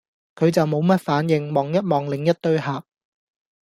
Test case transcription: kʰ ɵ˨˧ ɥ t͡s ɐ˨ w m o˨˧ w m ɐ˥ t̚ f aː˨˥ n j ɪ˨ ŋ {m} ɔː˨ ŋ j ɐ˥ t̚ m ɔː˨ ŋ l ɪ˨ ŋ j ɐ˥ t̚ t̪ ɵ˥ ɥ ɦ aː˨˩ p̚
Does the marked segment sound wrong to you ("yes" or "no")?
no